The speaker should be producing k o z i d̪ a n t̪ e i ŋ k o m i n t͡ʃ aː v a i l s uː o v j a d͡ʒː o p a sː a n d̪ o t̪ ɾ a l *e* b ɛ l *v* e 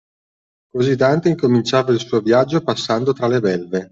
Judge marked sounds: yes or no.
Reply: yes, yes

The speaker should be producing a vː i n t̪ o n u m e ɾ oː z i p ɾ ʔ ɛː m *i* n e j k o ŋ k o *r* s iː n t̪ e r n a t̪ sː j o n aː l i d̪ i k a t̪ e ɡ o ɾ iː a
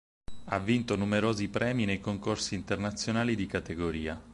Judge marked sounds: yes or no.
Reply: yes, yes

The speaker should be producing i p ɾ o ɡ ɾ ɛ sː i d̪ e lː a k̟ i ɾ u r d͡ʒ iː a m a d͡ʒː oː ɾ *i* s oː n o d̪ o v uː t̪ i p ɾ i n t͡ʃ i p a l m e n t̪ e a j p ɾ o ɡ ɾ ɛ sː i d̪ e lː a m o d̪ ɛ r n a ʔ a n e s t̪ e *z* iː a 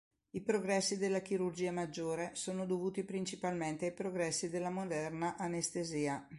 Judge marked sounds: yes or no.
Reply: no, yes

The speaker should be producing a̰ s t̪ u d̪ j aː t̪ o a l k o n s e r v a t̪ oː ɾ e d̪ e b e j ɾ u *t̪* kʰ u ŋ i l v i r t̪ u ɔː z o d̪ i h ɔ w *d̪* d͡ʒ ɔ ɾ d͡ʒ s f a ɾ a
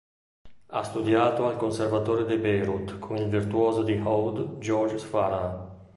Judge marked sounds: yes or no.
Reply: yes, yes

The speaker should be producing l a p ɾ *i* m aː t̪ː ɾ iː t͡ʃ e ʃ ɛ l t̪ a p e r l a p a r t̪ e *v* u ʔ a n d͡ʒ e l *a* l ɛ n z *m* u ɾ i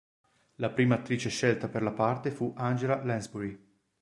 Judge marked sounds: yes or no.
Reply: no, no, yes, no

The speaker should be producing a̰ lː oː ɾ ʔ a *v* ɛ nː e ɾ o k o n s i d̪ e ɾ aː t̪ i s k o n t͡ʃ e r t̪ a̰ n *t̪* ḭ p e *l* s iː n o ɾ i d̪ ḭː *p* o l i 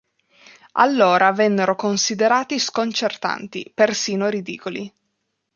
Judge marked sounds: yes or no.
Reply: yes, yes, no, no

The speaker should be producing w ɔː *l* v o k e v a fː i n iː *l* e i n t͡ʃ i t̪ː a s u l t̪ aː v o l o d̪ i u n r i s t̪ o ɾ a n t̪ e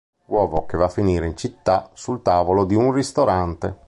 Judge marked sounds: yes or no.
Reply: no, no

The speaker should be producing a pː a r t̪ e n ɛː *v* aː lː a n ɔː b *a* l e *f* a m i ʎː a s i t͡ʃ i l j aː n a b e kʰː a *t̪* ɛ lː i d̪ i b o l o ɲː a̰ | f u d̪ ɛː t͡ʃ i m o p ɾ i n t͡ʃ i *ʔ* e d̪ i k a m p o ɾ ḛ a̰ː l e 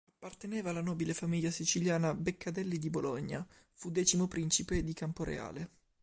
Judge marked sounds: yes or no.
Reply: yes, no, yes, no, no

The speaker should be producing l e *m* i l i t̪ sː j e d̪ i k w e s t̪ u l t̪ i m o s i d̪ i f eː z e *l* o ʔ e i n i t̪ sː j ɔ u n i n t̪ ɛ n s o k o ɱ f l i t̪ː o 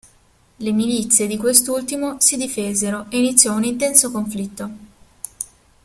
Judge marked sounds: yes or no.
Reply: yes, no

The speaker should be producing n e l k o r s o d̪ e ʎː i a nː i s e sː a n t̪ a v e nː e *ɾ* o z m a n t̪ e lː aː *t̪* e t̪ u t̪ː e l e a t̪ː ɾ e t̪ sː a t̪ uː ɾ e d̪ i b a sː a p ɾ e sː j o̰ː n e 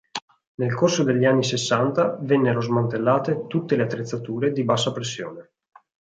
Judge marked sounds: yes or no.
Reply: yes, yes

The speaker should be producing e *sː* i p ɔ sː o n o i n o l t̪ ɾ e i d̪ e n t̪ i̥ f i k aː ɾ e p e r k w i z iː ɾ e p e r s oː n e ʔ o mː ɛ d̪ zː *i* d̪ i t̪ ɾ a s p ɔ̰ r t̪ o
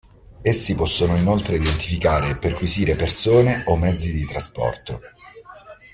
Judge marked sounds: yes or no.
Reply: yes, yes

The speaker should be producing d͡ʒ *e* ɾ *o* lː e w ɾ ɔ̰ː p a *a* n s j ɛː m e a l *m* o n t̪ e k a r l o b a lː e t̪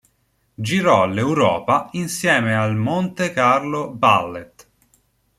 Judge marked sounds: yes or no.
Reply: no, no, no, yes

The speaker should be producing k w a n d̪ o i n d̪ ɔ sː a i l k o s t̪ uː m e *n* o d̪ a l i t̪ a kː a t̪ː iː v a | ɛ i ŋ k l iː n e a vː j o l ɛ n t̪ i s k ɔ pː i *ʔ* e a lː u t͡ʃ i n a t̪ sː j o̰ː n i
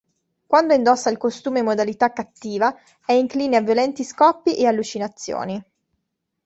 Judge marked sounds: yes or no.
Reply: no, yes

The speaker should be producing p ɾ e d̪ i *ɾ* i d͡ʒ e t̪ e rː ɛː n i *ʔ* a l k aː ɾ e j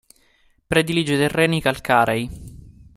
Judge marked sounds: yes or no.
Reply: no, no

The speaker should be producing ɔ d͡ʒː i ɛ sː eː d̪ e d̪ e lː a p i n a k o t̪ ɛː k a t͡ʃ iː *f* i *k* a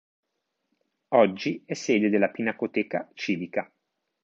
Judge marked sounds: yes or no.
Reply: no, yes

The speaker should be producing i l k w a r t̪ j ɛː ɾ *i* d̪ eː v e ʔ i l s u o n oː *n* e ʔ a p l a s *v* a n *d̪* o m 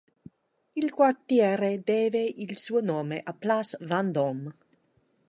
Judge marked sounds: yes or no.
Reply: no, no, yes, yes

